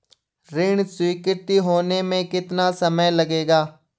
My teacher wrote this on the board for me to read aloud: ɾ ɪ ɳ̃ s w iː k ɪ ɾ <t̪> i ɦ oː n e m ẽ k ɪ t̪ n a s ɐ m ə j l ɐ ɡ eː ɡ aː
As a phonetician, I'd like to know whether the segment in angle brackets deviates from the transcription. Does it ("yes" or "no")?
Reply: no